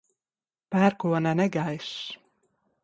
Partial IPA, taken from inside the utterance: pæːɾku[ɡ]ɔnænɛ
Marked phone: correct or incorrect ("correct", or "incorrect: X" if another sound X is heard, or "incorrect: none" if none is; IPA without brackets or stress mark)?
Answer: incorrect: none